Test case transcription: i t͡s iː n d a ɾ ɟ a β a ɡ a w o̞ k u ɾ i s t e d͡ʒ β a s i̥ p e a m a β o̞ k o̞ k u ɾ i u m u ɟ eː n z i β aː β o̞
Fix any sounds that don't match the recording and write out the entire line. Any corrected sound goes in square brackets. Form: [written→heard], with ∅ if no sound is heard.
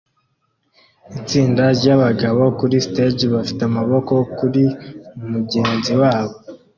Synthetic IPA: i t͡s iː n d a ɾ ɟ a β a ɡ a [w→β] o̞ k u ɾ i s t e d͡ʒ β a [s→f] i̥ [p→t] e a m a β o̞ k o̞ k u ɾ i u m u ɟ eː n z i [β→w] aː β o̞